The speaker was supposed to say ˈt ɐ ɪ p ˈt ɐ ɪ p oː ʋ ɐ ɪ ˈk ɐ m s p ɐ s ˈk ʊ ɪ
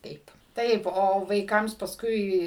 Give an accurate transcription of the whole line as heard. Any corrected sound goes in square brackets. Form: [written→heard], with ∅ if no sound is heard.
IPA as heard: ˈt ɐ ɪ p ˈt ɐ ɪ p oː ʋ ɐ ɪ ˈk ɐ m s p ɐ s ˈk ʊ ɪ

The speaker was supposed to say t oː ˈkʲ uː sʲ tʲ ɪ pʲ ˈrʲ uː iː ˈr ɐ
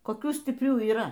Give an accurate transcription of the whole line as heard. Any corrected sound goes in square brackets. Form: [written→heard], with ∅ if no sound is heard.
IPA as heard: [t→k] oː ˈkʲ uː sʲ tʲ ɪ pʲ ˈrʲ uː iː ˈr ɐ

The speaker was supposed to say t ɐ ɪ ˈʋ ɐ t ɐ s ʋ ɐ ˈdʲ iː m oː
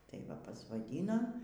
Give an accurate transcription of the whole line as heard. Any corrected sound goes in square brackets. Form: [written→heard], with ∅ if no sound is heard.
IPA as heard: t ɐ ɪ ˈʋ ɐ [t→p] ɐ s ʋ ɐ ˈdʲ iː [m→n] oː

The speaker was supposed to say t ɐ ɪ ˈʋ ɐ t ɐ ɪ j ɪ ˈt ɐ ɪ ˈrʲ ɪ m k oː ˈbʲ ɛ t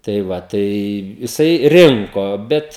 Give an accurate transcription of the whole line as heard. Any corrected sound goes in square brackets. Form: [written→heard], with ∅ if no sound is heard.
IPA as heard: t ɐ ɪ ˈʋ ɐ t ɐ ɪ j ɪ [ˈt→ˈs] ɐ ɪ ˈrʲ ɪ [m→ŋ] k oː ˈbʲ ɛ t

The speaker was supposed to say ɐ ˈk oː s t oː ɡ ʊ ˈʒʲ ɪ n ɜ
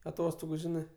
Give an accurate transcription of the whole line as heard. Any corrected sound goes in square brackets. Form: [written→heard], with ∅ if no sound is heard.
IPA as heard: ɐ [ˈk→ˈt] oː s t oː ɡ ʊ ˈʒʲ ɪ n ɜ

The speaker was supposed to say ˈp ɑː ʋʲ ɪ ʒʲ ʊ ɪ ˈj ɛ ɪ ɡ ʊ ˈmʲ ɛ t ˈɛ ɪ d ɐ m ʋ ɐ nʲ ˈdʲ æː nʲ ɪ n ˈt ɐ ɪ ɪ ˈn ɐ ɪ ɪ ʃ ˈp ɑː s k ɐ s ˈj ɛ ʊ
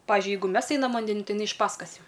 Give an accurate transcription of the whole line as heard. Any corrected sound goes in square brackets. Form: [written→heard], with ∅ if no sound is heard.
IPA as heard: ˈp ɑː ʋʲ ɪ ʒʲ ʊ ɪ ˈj ɛ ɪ ɡ ʊ ˈmʲ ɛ [t→s] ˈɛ ɪ [d→n] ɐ m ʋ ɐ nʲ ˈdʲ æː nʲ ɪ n ˈt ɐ ɪ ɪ ˈn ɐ ɪ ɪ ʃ ˈp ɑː s k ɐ s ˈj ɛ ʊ

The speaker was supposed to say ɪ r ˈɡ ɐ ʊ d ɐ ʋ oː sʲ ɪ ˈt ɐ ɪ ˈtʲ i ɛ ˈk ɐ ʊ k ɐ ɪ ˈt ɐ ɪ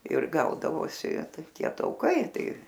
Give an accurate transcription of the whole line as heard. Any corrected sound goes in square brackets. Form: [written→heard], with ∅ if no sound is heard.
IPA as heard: ɪ r ˈɡ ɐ ʊ d ɐ ʋ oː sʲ ɪ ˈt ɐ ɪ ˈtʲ i ɛ [ˈk→ˈt] ɐ ʊ k ɐ ɪ ˈt ɐ ɪ

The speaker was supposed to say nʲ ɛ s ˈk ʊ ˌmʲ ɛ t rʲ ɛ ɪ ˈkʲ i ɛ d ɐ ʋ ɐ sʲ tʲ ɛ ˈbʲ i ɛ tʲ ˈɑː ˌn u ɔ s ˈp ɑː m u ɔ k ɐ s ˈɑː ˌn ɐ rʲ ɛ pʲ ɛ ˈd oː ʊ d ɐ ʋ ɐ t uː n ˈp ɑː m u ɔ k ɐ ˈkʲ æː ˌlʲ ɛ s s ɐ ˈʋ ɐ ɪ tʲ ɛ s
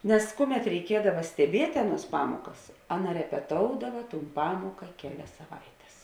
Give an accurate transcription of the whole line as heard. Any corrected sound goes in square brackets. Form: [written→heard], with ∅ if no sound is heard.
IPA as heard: nʲ ɛ s ˈk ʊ ˌmʲ ɛ t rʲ ɛ ɪ ˈkʲ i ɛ d ɐ ʋ ɐ sʲ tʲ ɛ ˈbʲ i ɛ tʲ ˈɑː ˌn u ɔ s ˈp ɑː m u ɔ k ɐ s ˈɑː ˌn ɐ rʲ ɛ pʲ ɛ [ˈd→ˈt] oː ʊ d ɐ ʋ ɐ t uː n ˈp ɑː m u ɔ k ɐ ˈkʲ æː ˌlʲ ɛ s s ɐ ˈʋ ɐ ɪ tʲ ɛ s

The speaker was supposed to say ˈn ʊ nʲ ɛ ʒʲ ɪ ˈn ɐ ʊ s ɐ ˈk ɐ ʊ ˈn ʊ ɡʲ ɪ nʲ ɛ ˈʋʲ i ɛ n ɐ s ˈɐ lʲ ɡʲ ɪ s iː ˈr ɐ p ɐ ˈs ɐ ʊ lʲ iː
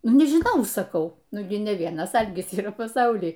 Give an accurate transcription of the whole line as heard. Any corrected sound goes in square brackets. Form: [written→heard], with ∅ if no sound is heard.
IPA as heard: ˈn ʊ nʲ ɛ ʒʲ ɪ ˈn ɐ ʊ s ɐ ˈk ɐ ʊ ˈn ʊ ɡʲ ɪ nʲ ɛ ˈʋʲ i ɛ n ɐ s ˈɐ lʲ ɡʲ ɪ s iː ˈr ɐ p ɐ ˈs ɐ ʊ lʲ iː

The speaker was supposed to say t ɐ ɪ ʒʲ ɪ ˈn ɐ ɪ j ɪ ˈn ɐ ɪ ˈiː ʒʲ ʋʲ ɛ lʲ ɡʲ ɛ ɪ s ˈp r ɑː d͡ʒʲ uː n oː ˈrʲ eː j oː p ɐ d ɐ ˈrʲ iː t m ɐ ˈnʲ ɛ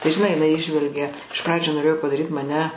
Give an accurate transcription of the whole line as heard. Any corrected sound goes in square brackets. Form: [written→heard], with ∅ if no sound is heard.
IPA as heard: t ɐ ɪ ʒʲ ɪ ˈn ɐ ɪ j ɪ ˈn ɐ ɪ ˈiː ʒʲ ʋʲ ɛ lʲ ɡʲ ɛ ɪ [s→ʃ] ˈp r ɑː d͡ʒʲ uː n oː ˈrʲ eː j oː p ɐ d ɐ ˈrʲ iː t m ɐ ˈnʲ ɛ

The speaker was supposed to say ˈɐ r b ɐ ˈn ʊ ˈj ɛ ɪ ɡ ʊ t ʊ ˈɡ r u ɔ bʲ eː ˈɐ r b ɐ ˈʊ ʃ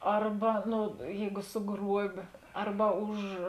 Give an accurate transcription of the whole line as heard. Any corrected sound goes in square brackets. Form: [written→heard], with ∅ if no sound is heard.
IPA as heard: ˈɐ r b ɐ ˈn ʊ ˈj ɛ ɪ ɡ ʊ [t→s] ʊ ˈɡ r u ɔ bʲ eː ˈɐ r b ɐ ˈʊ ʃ

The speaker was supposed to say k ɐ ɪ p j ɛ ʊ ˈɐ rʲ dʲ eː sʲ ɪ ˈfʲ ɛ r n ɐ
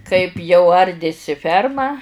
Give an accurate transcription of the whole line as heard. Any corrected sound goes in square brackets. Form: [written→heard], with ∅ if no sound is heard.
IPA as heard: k ɐ ɪ p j ɛ ʊ ˈɐ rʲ dʲ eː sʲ ɪ ˈfʲ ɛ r [n→m] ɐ

